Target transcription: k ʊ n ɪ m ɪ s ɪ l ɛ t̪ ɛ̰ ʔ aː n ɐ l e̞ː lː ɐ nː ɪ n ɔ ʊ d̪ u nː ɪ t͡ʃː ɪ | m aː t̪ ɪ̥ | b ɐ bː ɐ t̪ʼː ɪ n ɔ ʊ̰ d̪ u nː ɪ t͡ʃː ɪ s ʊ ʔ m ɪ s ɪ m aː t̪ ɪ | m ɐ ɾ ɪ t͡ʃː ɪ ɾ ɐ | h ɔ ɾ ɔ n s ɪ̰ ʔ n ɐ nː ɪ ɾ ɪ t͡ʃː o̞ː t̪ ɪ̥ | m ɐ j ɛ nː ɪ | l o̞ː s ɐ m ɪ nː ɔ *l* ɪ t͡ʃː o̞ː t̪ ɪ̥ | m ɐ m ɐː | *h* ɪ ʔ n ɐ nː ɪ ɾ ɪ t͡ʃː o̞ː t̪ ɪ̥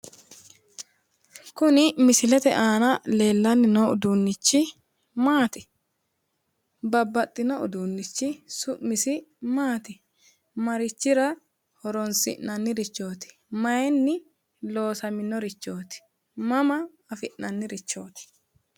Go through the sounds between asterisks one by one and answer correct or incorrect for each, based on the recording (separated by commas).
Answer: incorrect, incorrect